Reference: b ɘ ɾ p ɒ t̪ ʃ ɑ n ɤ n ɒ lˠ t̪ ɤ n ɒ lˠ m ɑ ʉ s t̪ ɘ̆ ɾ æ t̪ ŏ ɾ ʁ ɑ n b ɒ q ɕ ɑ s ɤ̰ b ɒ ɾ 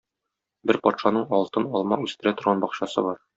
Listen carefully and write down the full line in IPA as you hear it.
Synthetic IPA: b ɘ ɾ p ɒ t̪ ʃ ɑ n ɤ ɴ ɒ lˠ t̪ ɤ n ɒ lˠ m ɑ ʉ s t̪ ɘ̆ ɾ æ t̪ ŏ ɾ ʁ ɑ n b ɒ q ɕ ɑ s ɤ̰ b ɒ ɾ